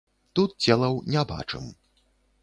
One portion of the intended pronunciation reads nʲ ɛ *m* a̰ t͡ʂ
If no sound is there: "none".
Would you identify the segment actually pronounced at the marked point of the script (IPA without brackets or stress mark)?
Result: b